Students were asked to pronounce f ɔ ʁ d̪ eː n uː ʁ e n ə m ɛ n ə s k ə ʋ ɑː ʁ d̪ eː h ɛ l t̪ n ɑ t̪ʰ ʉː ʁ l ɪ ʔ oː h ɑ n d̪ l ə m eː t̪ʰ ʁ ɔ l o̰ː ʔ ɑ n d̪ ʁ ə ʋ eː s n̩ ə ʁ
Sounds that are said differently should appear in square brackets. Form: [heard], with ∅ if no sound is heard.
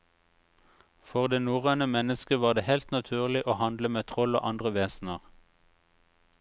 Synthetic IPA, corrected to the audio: f ɔ ʁ d̪ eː n uː ʁ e n ə m ɛ n ə s k ə ʋ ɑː ʁ d̪ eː h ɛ l t̪ n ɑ t̪ʰ ʉː ʁ l ɪ ʔ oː h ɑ n d̪ l ə m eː t̪ʰ ʁ ɔ l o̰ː ʔ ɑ n d̪ ʁ ə ʋ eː s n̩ ə ʁ